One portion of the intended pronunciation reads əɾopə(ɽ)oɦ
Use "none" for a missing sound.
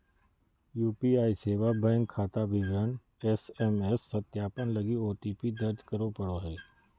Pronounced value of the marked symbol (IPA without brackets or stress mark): ɽ